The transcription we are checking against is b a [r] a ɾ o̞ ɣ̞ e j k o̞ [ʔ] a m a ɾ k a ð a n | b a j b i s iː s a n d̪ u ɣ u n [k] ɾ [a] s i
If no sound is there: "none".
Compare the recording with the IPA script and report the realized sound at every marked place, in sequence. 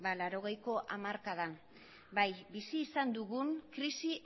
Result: l, ʔ, k, i

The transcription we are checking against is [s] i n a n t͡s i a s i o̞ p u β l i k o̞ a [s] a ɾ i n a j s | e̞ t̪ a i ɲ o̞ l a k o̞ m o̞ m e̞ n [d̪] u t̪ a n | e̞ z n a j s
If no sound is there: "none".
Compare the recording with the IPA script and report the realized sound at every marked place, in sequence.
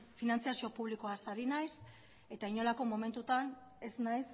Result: f, s, t̪

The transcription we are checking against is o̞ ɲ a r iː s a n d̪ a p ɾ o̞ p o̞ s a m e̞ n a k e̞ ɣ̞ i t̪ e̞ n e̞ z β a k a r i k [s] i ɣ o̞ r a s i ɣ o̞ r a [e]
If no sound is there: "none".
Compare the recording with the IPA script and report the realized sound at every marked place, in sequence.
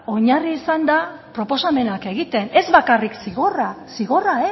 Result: s, e

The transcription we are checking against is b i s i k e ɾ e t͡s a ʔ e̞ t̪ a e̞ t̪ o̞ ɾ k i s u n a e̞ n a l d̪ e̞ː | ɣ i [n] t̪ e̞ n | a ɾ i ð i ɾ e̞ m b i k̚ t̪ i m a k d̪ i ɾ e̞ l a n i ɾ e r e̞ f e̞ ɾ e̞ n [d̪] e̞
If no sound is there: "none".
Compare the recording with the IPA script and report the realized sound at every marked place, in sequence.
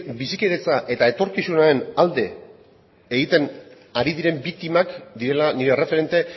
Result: none, t̪

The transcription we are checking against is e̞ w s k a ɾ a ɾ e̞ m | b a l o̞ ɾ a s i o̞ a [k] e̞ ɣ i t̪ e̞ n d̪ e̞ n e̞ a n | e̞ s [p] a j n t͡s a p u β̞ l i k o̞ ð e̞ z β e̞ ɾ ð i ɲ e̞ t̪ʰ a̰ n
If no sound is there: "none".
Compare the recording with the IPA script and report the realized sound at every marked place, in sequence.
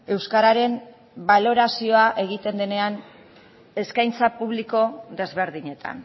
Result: ʔ, k

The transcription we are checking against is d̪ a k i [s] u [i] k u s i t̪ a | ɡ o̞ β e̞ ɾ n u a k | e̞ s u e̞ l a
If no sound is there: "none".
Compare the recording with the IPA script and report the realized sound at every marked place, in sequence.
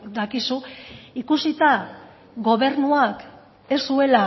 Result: s, i

